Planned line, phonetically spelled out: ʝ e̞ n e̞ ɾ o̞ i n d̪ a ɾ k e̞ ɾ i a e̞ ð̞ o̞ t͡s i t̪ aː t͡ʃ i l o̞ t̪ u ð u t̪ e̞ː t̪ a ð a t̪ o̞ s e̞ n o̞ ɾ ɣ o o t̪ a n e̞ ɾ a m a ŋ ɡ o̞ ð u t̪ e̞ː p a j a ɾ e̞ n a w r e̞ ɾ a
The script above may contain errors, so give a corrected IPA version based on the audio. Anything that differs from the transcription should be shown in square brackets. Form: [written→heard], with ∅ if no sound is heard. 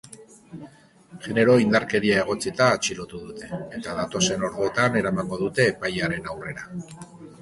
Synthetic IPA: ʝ e̞ n e̞ ɾ o̞ i n d̪ a ɾ k e̞ ɾ i a e̞ [ð̞→ɣ̞] o̞ t͡s i t̪ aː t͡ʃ i l o̞ t̪ u ð u t̪ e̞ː t̪ a ð a t̪ o̞ s e̞ n o̞ ɾ ɣ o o t̪ a n e̞ ɾ a m a ŋ ɡ o̞ ð u t̪ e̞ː p a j a ɾ e̞ n a w r e̞ ɾ a